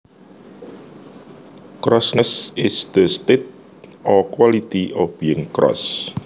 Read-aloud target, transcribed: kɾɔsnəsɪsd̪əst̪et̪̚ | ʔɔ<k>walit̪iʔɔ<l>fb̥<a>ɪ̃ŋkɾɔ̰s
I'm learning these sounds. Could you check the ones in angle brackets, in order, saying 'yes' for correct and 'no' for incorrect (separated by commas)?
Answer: yes, no, no